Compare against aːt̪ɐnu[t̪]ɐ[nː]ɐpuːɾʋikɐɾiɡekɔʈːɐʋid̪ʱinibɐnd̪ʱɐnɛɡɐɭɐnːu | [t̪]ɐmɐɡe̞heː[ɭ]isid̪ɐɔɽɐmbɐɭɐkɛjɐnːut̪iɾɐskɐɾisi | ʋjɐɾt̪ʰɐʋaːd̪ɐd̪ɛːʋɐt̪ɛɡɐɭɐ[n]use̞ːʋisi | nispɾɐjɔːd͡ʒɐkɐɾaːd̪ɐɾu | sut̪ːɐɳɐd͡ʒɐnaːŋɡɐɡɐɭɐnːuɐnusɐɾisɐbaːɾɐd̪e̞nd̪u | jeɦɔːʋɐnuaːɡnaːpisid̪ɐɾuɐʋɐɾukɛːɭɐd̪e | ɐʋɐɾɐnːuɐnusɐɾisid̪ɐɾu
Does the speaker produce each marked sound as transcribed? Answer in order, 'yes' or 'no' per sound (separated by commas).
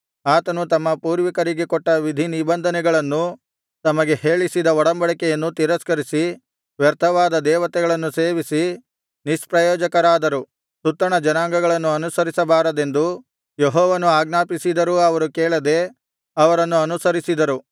yes, no, yes, yes, no